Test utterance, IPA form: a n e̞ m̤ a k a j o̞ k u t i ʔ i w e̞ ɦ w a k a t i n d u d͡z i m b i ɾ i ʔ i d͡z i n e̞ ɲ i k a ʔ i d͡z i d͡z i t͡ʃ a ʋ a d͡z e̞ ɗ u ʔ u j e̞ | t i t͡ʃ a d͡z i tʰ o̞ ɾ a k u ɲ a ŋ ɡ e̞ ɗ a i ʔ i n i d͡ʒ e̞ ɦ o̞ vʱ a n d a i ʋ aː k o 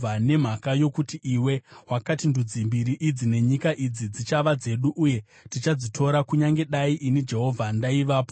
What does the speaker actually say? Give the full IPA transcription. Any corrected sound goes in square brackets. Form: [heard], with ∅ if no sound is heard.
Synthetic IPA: a n e̞ m̤ a k a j o̞ k u t i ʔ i w e̞ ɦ w a k a t i n d u d͡z i m b i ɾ i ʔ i d͡z i n e̞ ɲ i k a ʔ i d͡z i d͡z i t͡ʃ a ʋ a d͡z e̞ ɗ u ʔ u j e̞ | t i t͡ʃ a d͡z i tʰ o̞ ɾ a k u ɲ a ŋ ɡ e̞ ɗ a i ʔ i n i d͡ʒ e̞ ɦ o̞ vʱ a n d a i ʋ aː [p] o